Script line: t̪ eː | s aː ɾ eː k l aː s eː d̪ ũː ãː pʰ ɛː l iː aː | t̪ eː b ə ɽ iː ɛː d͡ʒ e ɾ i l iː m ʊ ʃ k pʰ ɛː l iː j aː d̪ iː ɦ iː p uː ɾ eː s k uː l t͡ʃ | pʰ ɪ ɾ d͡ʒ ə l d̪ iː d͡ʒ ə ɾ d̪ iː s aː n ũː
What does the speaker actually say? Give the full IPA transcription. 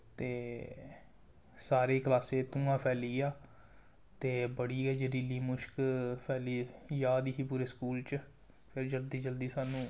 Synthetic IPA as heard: t̪ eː | s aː ɾ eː k l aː s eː t̪ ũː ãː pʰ ɛː l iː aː | t̪ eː b ə ɽ iː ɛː d͡ʒ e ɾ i l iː m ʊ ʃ k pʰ ɛː l iː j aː d̪ iː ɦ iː p uː ɾ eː s k uː l t͡ʃ | pʰ ɪ ɾ d͡ʒ ə l d̪ iː d͡ʒ ə l d̪ iː s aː n ũː